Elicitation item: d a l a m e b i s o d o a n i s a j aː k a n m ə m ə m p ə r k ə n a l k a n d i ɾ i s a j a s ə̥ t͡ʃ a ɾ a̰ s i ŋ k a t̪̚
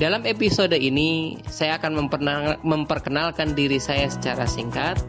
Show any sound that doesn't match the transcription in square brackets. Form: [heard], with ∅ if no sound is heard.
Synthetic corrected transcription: d a l a m e [p] i s o d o [i] n i s a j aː k a n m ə m ə m p ə r k ə n a l k a n d i ɾ i s a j a s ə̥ t͡ʃ a ɾ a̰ s i ŋ k a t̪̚